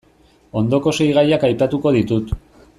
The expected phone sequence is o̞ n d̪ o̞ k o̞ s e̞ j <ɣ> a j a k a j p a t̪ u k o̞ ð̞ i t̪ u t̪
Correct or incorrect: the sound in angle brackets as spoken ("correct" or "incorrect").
correct